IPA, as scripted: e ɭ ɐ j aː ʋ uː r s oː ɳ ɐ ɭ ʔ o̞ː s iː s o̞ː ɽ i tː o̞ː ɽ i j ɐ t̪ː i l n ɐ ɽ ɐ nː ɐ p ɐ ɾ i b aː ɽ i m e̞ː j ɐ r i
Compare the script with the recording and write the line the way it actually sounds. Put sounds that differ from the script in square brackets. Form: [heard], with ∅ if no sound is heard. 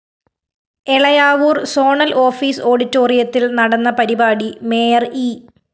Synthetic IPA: e ɭ ɐ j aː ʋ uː r s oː ɳ ɐ [l] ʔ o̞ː [f] iː s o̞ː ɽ i tː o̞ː [r] i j ɐ t̪ː i l n ɐ ɽ ɐ nː ɐ p ɐ ɾ i b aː ɽ i m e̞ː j ɐ r i